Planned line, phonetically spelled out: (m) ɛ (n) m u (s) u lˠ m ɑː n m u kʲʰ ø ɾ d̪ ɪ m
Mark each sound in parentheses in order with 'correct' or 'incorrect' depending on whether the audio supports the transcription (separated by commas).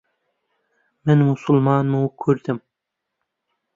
correct, correct, correct